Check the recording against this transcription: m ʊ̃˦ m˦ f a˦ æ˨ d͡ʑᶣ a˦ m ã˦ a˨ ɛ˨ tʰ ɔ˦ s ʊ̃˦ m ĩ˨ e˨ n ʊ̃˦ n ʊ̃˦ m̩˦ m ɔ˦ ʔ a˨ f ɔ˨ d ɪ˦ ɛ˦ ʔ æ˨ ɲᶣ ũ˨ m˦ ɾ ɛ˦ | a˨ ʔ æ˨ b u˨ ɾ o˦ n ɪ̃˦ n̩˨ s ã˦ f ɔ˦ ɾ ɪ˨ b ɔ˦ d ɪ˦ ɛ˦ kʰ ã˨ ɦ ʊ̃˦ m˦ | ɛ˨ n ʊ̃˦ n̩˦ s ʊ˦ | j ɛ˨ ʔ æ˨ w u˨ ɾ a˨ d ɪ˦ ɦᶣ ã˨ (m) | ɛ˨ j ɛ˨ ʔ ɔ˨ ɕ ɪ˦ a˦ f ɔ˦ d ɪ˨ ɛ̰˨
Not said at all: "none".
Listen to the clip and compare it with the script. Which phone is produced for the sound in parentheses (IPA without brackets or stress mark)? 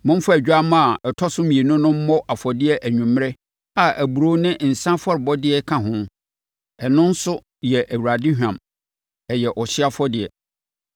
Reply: m